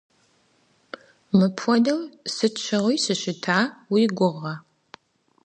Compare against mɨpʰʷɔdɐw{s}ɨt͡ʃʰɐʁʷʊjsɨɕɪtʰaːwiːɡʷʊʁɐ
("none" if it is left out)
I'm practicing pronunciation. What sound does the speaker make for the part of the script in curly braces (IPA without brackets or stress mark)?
s